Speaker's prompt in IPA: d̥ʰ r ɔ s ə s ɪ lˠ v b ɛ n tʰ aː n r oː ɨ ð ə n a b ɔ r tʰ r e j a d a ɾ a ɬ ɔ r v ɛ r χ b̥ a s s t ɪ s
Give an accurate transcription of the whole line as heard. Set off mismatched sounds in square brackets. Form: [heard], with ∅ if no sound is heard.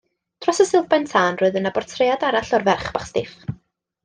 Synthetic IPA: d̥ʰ r ɔ s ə s ɪ lˠ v b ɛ n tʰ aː n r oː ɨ ð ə n a b ɔ r tʰ r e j a d a ɾ a ɬ ɔ r v ɛ r χ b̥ a [χ] s t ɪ [f]